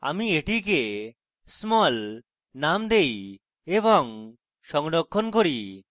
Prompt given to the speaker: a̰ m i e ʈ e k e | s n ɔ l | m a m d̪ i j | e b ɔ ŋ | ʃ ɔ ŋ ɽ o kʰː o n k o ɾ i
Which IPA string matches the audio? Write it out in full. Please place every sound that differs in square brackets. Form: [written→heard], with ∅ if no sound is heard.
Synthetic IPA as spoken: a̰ m i e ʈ [e→i] k e | s [n→m] ɔ l | [m→n] a m d̪ [i→e] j | e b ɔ ŋ | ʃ ɔ ŋ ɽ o kʰː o n k o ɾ i